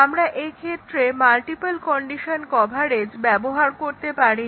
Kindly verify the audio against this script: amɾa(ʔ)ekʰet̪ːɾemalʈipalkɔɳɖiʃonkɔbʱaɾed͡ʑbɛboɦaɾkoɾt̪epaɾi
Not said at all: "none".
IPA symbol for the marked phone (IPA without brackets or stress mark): ʔ